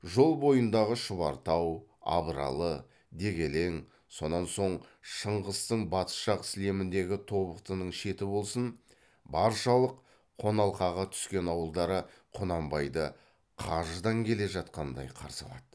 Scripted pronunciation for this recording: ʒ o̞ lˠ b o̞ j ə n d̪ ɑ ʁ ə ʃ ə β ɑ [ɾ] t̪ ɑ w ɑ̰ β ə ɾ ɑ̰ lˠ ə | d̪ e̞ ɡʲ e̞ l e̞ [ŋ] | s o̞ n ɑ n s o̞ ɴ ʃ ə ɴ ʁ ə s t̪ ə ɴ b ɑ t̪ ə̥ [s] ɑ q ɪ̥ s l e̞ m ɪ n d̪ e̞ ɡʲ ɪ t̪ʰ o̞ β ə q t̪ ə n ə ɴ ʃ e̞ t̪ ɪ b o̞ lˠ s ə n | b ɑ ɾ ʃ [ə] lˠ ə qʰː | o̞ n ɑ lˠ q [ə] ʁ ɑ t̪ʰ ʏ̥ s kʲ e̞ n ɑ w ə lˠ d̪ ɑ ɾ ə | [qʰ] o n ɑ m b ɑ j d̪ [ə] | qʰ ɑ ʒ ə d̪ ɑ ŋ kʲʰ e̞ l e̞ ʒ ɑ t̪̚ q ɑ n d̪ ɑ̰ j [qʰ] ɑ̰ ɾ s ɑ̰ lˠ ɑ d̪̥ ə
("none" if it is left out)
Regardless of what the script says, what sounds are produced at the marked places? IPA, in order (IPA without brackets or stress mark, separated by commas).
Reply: ɾ, ŋ, ʃ, ɑ, ɑ, qʰ, ə, qʰ